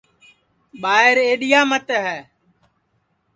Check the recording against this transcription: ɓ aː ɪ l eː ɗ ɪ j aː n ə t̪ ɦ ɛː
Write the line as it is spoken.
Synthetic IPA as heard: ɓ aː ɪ ɾ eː ɗ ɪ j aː m ə t̪ ɦ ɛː